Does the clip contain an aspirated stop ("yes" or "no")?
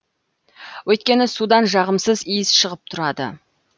yes